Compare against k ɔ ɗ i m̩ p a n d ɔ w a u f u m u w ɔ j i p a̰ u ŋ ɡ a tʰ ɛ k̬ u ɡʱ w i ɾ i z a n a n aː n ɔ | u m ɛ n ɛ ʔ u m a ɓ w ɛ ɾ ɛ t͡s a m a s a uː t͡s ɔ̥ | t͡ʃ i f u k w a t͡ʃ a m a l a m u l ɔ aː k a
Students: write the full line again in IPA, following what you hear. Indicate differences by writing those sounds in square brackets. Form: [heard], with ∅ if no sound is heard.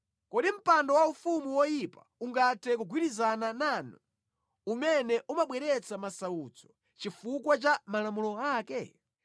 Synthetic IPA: k ɔ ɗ i m̩ p a n d ɔ w a u f u m u w ɔ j i p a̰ u ŋ ɡ a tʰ ɛ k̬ u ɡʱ w i ɾ i z a n a n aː n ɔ | u m ɛ n ɛ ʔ u m a ɓ w ɛ ɾ ɛ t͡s a m a s a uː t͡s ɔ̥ | t͡ʃ i f u k w a t͡ʃ a m a l a m u l ɔ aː k [ɛ]